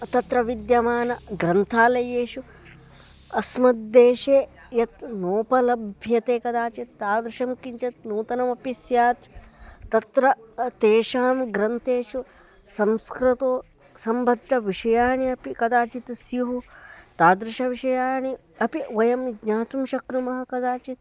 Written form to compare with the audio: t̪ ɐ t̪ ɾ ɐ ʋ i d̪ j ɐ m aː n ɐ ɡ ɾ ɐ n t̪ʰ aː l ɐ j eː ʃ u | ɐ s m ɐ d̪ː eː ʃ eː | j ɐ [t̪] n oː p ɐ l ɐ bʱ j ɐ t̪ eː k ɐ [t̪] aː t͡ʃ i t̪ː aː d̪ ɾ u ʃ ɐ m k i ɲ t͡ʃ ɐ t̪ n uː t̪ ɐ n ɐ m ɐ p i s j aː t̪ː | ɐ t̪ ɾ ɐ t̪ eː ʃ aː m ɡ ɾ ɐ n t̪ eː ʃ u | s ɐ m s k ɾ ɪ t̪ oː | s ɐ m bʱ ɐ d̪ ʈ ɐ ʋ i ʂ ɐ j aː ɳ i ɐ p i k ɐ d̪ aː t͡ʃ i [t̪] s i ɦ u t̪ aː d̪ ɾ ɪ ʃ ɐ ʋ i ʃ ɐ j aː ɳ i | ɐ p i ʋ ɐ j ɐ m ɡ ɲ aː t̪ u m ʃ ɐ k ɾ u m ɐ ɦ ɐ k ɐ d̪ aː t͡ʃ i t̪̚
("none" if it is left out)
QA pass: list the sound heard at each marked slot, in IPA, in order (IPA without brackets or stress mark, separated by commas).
t̪, d̪, t̪